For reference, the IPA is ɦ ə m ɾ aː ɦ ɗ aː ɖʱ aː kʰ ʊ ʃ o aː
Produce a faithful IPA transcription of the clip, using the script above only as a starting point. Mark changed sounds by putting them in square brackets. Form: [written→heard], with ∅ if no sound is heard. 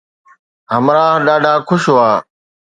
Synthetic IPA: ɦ ə m ɾ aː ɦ ɗ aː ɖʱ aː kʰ ʊ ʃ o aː